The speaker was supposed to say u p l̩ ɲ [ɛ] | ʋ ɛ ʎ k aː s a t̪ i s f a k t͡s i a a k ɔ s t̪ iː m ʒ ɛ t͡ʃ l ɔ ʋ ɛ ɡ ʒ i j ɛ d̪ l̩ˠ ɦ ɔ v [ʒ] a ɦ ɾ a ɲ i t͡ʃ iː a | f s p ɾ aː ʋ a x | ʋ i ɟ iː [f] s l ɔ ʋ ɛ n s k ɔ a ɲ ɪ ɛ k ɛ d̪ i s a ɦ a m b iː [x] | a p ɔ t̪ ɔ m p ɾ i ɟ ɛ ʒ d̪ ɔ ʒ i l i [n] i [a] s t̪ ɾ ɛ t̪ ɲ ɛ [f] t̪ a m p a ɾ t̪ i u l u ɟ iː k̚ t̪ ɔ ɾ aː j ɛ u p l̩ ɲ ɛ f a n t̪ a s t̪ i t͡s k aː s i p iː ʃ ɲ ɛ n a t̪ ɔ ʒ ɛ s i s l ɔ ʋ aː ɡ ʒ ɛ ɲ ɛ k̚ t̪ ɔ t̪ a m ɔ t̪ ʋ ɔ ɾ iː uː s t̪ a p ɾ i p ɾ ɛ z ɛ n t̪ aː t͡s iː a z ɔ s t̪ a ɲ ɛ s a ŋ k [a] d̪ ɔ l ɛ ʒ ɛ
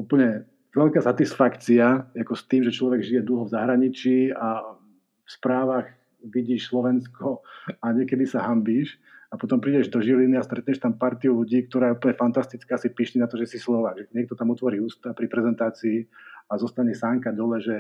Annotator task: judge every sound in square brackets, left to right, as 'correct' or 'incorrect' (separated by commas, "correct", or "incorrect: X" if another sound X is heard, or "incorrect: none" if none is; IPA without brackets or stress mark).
correct, incorrect: z, incorrect: ʃ, incorrect: ʃ, correct, correct, incorrect: ʃ, correct